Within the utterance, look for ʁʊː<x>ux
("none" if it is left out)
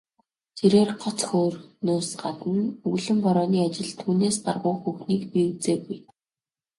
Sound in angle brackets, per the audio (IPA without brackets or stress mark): x